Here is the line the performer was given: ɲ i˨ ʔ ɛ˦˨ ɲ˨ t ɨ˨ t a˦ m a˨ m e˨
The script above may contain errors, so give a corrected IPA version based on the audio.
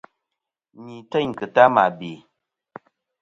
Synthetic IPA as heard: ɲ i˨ t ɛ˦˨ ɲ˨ k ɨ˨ t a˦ m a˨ b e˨